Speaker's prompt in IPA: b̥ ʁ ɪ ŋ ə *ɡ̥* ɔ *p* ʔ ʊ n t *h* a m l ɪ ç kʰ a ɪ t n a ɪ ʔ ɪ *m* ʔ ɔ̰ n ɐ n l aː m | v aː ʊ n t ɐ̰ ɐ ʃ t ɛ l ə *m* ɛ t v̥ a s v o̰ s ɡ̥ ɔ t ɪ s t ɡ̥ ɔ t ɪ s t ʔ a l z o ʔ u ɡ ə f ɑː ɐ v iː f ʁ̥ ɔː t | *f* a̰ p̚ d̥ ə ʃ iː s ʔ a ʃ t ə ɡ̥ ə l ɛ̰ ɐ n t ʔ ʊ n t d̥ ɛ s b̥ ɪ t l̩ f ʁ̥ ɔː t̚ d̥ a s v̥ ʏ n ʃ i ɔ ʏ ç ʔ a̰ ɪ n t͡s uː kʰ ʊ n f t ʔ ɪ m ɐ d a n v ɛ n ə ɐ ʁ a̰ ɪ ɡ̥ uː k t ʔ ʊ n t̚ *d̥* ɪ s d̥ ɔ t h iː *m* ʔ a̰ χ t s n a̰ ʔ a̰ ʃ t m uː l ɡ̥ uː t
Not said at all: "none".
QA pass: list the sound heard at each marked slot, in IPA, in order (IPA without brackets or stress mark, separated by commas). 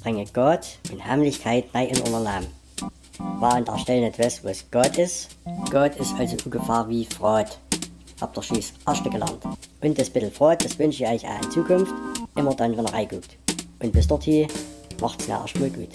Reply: ɡ̥, t, h, n, n, h, b̥, m